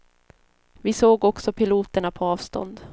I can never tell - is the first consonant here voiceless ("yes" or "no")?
no